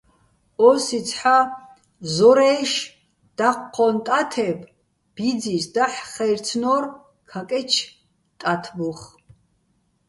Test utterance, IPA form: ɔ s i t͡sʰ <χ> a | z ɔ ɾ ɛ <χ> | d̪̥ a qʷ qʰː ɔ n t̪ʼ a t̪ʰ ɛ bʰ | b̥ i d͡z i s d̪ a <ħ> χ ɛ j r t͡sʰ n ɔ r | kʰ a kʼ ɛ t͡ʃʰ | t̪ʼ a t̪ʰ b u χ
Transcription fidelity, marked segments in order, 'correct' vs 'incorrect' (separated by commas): incorrect, incorrect, correct